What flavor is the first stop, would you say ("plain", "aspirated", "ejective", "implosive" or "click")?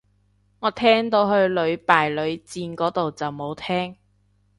aspirated